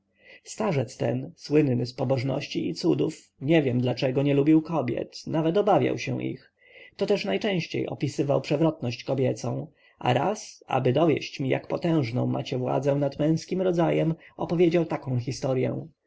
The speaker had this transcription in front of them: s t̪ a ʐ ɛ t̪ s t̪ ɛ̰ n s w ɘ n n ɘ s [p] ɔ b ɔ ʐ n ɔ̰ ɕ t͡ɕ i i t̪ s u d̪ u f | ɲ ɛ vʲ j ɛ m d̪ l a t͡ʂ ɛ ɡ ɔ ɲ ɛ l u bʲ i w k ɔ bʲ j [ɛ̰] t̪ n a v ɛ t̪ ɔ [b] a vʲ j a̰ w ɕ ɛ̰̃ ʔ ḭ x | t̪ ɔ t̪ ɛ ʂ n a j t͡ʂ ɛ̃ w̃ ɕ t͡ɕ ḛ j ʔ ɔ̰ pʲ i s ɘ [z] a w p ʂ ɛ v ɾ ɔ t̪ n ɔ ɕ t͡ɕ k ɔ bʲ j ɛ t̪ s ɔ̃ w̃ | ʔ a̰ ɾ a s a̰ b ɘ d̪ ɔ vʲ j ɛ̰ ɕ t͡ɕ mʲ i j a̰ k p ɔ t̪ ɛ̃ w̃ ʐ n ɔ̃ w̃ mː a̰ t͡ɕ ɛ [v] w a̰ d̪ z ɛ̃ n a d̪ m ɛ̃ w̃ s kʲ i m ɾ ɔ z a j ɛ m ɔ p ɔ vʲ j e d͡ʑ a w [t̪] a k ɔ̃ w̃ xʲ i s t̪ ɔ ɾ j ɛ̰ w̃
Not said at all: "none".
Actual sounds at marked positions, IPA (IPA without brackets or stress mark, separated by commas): p, ɛ̰, b, v, v, t̪